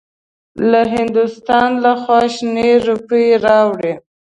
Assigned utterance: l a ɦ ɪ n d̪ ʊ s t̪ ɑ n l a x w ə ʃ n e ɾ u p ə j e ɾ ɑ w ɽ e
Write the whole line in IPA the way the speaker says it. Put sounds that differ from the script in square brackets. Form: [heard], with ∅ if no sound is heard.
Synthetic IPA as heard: l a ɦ ɪ n d̪ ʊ s t̪ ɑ n l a x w [ɑ] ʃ n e ɾ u p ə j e ɾ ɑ w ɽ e